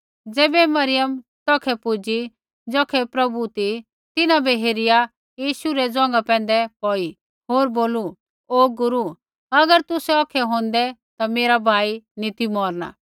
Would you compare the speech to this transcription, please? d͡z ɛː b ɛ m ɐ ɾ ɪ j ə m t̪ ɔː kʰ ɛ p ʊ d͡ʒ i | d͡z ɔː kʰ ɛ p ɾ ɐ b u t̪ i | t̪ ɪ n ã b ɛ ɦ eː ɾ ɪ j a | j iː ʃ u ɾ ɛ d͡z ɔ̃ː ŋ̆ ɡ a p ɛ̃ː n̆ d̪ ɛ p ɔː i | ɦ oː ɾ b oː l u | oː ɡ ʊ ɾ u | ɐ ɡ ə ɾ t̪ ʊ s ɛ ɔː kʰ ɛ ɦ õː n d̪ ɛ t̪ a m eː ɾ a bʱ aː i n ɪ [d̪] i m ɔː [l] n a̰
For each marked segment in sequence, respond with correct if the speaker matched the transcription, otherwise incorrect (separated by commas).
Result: incorrect, incorrect